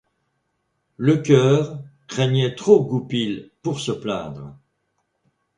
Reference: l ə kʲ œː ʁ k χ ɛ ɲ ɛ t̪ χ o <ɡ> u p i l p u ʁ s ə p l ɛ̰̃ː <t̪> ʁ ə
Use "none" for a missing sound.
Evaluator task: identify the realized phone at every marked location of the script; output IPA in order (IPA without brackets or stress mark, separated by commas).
ɡ, d̪